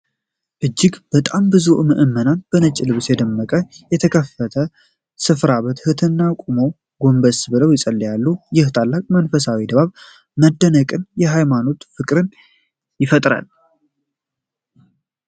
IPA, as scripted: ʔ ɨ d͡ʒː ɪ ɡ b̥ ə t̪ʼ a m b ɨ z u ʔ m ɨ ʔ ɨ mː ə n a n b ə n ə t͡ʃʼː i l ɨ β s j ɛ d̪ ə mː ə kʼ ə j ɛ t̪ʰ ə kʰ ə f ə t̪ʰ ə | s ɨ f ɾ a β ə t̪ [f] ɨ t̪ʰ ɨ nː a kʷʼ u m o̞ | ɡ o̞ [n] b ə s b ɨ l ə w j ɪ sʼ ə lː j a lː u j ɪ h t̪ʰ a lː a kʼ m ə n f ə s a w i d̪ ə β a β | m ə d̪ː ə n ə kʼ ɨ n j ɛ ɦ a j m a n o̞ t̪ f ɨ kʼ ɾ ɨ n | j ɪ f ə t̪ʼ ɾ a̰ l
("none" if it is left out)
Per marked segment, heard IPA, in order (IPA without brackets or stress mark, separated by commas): h, m